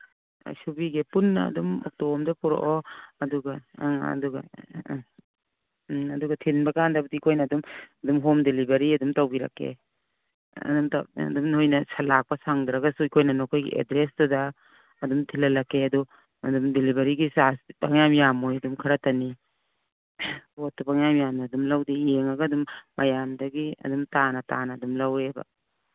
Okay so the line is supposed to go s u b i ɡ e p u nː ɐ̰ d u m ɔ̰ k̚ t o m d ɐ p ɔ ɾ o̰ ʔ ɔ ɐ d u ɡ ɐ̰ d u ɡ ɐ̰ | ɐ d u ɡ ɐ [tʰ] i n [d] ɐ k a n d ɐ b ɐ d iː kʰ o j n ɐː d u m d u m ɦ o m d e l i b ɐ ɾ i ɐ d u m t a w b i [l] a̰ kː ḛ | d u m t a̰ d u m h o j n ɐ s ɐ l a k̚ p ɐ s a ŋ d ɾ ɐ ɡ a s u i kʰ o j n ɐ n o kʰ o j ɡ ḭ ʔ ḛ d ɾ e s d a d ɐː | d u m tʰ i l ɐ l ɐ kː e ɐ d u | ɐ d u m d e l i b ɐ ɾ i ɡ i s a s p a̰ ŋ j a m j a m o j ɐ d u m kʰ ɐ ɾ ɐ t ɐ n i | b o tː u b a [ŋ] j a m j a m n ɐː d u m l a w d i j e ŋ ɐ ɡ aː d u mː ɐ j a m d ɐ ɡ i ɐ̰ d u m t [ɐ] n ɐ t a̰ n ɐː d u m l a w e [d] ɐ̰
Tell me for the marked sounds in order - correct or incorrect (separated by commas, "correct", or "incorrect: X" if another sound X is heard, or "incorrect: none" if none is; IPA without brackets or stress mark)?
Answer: correct, incorrect: b, incorrect: ɾ, correct, incorrect: a, incorrect: b